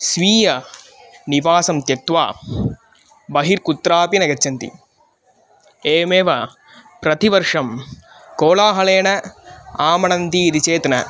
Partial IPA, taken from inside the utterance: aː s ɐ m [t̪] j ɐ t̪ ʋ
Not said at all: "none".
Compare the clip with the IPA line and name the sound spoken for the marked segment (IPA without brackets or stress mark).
t̪